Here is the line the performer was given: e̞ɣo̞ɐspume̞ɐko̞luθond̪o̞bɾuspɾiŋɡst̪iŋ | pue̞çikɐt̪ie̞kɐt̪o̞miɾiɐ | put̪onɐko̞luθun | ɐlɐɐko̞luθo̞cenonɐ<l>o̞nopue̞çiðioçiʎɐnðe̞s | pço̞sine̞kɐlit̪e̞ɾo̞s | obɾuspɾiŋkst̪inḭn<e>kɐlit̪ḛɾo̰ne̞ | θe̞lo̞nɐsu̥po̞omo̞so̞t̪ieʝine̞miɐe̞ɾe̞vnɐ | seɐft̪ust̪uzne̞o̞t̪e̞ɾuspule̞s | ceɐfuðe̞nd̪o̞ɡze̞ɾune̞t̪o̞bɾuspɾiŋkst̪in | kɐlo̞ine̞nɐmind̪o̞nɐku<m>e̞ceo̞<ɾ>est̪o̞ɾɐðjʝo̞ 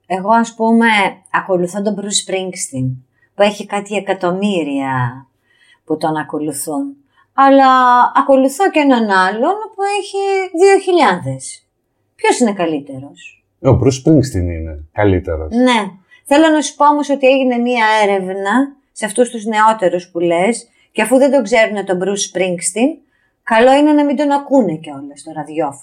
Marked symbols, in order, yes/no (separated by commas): yes, yes, no, no